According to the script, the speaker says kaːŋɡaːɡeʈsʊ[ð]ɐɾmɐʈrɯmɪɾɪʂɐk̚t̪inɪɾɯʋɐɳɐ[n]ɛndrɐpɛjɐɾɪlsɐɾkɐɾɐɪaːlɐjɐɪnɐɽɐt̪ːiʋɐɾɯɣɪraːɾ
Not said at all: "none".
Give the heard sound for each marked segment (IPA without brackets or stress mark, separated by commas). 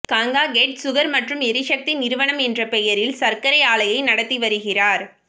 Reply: ɣ, m